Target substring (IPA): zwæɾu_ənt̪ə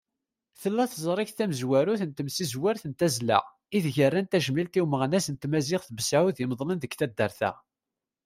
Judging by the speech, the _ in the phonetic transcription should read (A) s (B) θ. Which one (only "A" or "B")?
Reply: B